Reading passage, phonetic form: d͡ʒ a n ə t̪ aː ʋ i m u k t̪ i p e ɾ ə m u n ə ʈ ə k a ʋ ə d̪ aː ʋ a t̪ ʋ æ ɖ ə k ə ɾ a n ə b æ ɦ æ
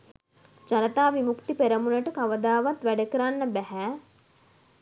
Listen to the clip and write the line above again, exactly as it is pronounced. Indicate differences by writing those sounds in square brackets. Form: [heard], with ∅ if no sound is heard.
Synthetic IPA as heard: d͡ʒ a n ə t̪ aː ʋ i m u k t̪ i p e ɾ ə m u n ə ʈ ə k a ʋ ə d̪ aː ʋ a t̪ ʋ æ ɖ ə k ə ɾ a [nː] ə b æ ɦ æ